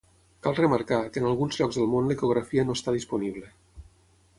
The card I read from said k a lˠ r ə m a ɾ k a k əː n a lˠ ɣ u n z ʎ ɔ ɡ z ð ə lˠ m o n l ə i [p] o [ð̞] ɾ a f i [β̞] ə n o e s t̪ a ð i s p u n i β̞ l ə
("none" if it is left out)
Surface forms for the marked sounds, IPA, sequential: k, ɣ̞, none

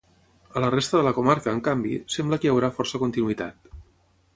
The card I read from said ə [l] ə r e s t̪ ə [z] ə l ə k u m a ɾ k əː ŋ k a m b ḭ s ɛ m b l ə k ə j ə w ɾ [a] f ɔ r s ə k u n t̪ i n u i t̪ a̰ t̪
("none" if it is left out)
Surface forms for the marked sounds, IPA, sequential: l, ð, a

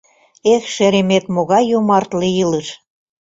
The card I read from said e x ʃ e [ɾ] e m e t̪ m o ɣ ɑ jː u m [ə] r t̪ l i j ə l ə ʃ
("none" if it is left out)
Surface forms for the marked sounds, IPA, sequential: ɾ, ɑ

